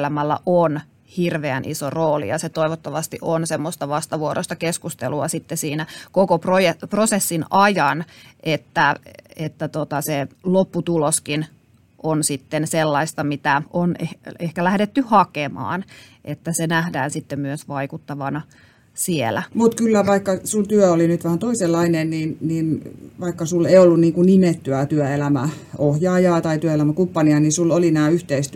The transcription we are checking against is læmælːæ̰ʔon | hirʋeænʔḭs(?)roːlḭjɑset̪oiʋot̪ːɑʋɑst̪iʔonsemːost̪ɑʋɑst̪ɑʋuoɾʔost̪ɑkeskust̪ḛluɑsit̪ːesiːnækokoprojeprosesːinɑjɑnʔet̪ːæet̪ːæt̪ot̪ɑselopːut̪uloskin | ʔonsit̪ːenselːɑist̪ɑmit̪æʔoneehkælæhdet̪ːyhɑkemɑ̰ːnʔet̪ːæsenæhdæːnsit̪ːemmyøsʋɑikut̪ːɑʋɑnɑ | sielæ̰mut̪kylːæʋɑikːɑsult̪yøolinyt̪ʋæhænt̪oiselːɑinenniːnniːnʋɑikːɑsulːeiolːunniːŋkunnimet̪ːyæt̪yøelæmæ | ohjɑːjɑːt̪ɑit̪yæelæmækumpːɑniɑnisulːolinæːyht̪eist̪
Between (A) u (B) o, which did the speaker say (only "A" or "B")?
B